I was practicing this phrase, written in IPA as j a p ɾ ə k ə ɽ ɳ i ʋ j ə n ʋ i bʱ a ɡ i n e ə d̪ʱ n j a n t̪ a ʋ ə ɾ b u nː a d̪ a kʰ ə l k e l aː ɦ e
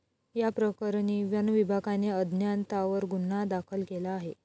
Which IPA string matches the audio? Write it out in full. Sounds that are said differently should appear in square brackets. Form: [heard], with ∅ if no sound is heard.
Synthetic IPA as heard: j a p ɾ ə k ə [ɾ] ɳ i ʋ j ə n ʋ i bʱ a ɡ [a] n e ə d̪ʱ n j a n t̪ a ʋ ə ɾ [ɡ] u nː a d̪ a kʰ ə l k e l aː ɦ e